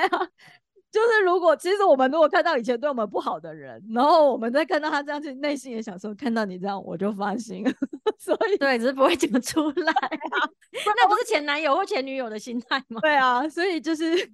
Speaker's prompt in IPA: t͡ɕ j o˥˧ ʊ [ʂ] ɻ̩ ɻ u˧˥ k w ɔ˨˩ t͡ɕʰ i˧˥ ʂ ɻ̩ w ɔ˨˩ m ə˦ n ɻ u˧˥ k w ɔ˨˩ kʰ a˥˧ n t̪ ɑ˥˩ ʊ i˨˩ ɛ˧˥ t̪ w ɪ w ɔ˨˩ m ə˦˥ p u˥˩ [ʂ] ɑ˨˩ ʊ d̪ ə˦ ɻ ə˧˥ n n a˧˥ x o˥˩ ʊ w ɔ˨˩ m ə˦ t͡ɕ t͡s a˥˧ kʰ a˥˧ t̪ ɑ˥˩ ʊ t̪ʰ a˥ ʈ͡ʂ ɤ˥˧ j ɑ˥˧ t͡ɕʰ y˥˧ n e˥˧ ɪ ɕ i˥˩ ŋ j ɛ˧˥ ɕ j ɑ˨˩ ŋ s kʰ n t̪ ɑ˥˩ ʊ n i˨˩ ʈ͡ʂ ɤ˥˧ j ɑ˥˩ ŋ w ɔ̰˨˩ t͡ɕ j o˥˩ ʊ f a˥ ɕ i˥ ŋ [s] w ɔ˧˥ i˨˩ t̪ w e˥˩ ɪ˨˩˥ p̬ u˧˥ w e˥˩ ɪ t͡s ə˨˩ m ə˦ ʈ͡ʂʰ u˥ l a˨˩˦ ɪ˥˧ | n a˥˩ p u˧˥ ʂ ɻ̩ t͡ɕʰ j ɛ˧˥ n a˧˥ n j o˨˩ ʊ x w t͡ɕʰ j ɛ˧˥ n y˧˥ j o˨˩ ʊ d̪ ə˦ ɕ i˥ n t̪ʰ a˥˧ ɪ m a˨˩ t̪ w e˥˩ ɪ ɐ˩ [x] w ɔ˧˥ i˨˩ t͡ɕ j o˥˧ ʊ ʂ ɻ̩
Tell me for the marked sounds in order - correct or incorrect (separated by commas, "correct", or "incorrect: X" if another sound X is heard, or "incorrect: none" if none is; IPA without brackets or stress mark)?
correct, incorrect: x, correct, incorrect: s